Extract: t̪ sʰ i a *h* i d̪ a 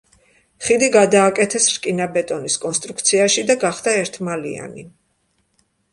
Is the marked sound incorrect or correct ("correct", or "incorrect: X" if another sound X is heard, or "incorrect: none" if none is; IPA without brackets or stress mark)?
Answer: incorrect: ʃ